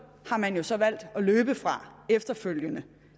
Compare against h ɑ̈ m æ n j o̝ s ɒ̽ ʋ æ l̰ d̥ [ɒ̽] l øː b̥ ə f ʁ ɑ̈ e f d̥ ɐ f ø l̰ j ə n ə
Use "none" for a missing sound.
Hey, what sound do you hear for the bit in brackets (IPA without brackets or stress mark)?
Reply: ɒ̽